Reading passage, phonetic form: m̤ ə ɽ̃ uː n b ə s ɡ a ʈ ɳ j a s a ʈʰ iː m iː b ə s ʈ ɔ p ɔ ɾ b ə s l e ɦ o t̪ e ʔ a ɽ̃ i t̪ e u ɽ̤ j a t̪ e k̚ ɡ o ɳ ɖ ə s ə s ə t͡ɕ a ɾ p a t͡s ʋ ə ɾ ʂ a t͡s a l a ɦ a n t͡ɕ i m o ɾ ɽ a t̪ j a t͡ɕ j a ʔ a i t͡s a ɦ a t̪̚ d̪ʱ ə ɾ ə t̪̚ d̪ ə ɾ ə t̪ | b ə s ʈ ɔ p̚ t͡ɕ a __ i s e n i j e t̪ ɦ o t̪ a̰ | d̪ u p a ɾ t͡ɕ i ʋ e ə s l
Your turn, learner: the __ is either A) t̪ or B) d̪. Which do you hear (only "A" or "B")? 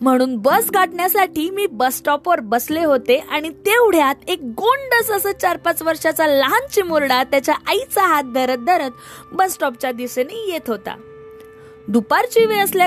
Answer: B